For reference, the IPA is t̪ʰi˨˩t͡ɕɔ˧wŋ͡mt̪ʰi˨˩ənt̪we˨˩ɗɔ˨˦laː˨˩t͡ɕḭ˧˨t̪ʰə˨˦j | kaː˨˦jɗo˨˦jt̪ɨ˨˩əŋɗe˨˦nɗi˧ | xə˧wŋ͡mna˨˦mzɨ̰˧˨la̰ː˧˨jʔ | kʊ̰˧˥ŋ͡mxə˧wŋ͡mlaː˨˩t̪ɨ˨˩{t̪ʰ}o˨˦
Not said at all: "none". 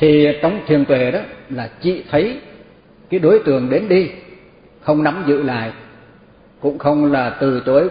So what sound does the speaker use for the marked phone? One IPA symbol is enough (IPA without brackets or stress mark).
t̪